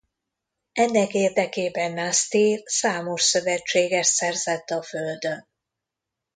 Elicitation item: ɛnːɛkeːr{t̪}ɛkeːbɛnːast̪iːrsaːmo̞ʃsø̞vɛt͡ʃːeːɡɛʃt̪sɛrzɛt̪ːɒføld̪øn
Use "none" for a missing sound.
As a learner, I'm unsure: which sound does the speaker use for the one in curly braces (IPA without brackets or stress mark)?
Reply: d̪